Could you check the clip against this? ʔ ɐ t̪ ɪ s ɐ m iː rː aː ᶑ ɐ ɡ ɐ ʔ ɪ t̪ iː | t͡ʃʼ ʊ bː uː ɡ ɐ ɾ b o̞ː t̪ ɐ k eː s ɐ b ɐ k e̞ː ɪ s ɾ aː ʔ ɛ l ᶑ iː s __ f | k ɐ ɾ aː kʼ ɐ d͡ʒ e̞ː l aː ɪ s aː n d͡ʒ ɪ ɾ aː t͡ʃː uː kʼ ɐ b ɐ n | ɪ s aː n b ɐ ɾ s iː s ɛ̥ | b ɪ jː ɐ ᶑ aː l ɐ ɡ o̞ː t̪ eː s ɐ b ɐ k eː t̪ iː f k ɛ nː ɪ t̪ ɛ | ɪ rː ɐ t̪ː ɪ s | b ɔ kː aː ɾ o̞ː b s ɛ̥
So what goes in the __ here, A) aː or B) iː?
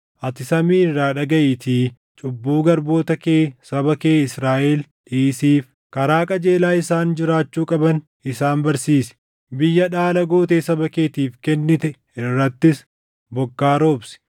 B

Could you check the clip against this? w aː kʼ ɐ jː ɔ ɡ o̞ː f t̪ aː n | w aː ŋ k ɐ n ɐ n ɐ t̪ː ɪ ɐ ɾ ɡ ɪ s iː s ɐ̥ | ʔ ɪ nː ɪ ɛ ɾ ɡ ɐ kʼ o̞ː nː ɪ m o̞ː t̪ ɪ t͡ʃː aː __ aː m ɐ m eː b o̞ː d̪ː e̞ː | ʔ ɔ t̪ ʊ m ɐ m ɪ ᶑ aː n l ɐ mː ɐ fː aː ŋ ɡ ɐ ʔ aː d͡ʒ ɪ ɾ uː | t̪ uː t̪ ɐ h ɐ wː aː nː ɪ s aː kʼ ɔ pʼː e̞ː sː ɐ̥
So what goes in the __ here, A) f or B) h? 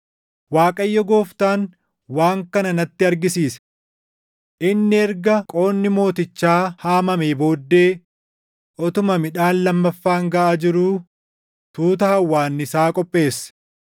B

